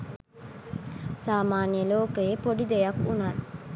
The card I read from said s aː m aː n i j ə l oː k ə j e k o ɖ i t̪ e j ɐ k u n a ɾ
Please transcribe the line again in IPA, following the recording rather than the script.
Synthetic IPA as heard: s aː m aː n i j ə l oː k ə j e p o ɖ i d̪ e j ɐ k u n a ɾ